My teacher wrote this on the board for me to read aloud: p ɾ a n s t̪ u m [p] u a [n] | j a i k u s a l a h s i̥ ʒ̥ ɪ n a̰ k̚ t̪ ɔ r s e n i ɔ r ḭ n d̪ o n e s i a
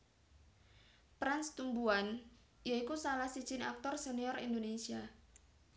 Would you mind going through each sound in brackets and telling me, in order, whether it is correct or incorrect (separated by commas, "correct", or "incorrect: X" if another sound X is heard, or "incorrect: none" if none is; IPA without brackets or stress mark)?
incorrect: b, correct